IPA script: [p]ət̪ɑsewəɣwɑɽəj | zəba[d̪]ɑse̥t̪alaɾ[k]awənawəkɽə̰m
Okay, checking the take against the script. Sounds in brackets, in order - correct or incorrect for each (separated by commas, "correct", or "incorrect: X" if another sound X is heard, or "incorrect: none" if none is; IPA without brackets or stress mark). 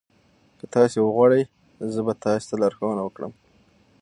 incorrect: k, incorrect: t̪, incorrect: x